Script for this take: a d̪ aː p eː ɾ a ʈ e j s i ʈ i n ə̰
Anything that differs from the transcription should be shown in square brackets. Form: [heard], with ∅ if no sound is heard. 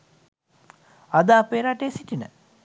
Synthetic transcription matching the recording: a d̪ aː p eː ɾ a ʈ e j s i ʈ i n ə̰